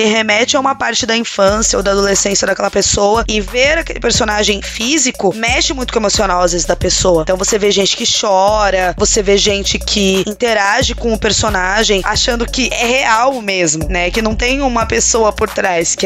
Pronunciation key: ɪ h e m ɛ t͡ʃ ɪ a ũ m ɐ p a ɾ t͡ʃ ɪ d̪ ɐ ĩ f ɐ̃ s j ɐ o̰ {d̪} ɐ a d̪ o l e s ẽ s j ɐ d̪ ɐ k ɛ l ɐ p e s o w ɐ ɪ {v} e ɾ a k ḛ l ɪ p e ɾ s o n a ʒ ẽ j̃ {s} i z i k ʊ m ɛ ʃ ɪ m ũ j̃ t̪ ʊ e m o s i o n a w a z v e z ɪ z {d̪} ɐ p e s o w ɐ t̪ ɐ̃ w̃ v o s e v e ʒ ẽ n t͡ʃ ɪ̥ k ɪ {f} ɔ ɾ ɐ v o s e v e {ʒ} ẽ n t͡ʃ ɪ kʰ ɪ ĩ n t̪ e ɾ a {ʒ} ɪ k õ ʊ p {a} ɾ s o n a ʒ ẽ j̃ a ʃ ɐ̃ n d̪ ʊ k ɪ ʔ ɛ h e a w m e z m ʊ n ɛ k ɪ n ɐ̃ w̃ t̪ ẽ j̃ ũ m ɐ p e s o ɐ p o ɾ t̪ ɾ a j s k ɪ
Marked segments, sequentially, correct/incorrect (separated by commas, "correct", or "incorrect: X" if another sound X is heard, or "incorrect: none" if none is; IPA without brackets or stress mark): correct, correct, incorrect: f, correct, incorrect: ʃ, correct, correct, incorrect: e